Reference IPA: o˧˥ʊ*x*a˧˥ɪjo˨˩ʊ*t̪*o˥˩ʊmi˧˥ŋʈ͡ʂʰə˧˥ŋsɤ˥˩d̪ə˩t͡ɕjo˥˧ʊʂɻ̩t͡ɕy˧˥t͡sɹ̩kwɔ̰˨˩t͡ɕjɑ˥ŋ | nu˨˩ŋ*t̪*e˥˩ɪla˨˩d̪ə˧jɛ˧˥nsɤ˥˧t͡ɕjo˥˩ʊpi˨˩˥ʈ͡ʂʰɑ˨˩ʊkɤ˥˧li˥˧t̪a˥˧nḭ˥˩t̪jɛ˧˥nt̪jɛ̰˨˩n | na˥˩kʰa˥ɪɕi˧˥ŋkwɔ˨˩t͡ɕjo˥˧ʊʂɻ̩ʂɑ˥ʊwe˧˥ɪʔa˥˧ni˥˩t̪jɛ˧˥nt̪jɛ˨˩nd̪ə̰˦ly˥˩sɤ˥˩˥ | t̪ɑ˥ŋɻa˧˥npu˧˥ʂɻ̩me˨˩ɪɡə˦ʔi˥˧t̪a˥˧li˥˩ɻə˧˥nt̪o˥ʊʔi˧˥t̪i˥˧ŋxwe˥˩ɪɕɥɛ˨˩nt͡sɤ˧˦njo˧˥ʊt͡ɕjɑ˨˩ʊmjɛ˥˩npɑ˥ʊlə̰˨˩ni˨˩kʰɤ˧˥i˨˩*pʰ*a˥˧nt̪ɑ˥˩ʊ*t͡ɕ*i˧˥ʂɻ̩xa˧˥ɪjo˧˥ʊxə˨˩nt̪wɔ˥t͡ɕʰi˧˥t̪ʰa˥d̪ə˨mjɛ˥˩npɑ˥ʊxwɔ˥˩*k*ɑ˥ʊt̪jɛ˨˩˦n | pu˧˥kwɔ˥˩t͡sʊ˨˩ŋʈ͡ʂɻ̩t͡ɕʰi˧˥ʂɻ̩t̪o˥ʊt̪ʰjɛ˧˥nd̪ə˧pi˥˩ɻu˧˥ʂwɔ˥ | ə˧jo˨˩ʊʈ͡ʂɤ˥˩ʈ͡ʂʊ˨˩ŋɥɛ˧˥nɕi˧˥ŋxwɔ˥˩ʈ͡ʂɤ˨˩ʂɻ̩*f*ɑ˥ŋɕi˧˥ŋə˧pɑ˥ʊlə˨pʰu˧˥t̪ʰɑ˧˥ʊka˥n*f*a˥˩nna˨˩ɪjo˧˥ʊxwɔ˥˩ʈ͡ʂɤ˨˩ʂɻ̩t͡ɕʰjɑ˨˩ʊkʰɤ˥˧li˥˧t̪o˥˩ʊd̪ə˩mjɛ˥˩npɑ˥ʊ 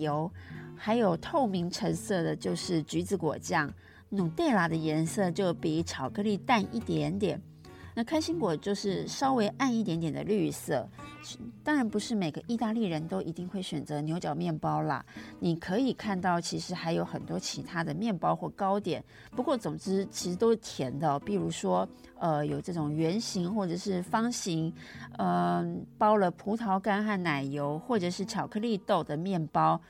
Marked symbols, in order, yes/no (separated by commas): yes, no, yes, no, no, yes, yes, no